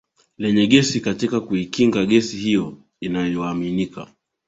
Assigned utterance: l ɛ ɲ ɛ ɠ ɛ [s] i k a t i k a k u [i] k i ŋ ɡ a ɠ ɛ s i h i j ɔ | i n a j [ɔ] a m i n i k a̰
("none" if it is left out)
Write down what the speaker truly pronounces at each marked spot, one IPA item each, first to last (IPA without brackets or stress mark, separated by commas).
s, i, ɔ